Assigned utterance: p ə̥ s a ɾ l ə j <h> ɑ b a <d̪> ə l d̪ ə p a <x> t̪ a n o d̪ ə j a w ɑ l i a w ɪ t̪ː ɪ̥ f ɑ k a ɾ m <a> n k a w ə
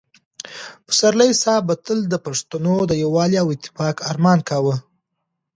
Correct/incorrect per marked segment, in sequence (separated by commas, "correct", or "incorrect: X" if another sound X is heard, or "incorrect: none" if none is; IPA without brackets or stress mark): incorrect: s, incorrect: t̪, incorrect: ʂ, incorrect: ɑ